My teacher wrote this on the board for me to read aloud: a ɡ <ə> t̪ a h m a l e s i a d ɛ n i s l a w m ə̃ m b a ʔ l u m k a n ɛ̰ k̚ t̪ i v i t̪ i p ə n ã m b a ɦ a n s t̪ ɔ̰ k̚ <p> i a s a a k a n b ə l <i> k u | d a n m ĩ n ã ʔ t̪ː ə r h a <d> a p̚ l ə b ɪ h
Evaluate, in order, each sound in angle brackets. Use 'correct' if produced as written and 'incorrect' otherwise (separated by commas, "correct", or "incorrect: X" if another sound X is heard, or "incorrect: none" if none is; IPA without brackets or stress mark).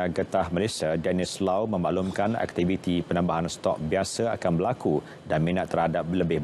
correct, incorrect: b, incorrect: a, correct